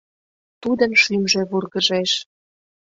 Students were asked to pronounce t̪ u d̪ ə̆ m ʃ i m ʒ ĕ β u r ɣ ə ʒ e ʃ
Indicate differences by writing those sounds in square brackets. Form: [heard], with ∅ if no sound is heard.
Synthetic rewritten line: t̪ u d̪ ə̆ [n] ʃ [y] m ʒ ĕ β u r ɣ ə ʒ e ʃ